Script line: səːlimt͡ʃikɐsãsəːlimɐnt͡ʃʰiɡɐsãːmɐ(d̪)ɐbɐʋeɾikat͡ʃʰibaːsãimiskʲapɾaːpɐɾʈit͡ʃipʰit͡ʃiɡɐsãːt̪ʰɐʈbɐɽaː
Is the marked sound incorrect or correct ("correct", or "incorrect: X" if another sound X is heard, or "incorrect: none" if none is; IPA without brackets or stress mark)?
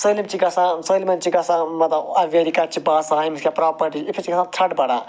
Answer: incorrect: t̪